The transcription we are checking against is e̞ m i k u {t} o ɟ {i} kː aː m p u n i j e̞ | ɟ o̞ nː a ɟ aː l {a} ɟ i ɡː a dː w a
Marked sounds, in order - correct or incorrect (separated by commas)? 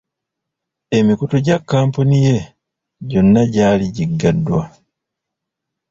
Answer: correct, incorrect, incorrect